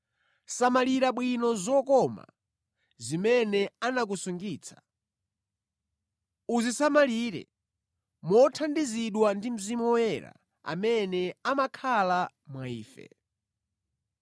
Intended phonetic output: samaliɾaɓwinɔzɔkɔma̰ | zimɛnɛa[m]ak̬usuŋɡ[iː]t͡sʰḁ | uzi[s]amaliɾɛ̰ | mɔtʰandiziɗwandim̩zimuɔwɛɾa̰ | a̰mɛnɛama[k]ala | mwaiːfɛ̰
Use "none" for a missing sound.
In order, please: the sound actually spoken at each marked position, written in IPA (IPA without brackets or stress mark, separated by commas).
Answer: n, iː, s, kʰ